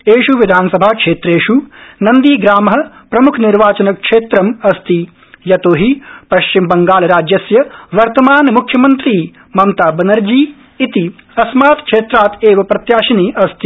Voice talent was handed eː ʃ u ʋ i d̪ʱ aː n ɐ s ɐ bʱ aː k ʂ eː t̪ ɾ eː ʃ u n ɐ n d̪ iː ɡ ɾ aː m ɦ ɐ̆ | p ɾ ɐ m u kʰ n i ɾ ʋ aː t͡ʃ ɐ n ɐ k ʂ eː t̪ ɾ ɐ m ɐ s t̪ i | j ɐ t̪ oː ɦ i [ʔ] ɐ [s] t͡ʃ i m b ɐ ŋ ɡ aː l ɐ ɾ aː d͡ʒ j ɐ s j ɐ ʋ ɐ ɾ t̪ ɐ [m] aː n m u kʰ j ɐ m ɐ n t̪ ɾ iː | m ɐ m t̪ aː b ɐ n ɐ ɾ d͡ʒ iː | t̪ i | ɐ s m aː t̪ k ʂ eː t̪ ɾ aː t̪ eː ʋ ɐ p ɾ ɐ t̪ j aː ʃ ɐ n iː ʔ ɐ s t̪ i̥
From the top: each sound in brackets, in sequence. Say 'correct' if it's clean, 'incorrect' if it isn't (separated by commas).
incorrect, incorrect, correct